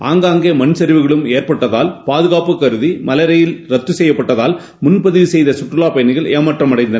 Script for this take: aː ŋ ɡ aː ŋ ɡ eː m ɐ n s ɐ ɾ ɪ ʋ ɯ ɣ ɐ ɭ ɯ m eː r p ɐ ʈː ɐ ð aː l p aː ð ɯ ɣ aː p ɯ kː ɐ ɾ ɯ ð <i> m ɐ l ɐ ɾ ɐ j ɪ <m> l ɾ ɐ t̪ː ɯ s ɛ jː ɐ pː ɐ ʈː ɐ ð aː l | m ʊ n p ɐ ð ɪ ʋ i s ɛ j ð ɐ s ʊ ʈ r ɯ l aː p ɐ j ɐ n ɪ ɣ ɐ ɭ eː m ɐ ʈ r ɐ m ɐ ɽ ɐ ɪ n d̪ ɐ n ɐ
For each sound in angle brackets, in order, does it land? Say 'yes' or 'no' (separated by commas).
yes, no